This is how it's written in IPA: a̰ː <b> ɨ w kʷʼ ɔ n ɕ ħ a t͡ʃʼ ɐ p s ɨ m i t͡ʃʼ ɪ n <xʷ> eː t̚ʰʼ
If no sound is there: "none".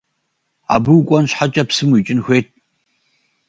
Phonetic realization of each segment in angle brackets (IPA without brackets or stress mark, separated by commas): b, xʷ